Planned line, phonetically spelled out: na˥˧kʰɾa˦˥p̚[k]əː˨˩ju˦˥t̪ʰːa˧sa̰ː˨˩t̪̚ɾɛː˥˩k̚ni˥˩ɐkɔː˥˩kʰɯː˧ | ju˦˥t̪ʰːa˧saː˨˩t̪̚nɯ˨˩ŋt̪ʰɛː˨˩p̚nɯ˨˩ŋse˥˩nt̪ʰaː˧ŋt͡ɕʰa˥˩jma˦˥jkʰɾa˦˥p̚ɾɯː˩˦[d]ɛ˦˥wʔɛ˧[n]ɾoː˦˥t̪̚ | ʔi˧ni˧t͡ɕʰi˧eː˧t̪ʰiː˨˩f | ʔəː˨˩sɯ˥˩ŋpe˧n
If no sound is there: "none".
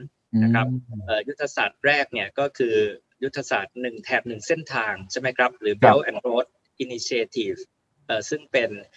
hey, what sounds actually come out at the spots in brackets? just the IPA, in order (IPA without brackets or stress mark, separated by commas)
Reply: ʔ, b, n